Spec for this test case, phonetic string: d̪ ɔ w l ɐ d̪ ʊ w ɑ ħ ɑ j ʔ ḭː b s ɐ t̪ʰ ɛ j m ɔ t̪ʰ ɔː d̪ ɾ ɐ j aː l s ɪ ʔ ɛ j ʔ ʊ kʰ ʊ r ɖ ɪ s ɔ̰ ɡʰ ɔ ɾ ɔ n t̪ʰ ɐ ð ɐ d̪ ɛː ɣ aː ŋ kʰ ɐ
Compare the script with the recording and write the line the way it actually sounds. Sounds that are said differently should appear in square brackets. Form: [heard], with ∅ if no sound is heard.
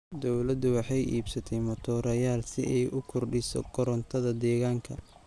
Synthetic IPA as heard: d̪ ɔ w l ɐ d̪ ʊ w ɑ ħ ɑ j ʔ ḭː b s ɐ t̪ʰ ɛ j m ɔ t̪ʰ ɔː [∅] ɾ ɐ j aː l s ɪ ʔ ɛ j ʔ ʊ kʰ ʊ r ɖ ɪ s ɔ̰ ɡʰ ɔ ɾ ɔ n t̪ʰ ɐ ð ɐ d̪ ɛː ɣ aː ŋ kʰ ɐ